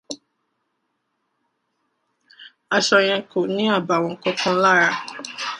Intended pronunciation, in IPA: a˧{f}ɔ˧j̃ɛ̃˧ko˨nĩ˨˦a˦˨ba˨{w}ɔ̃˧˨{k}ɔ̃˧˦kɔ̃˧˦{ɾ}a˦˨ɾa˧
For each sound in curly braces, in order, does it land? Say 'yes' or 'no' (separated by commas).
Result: no, yes, yes, no